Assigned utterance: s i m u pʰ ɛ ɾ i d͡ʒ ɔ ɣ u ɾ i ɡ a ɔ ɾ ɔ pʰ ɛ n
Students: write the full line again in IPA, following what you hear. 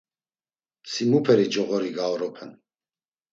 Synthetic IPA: s i m u pʰ ɛ ɾ i d͡ʒ ɔ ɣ ɔ ɾ i ɡ a ɔ ɾ ɔ pʰ ɛ n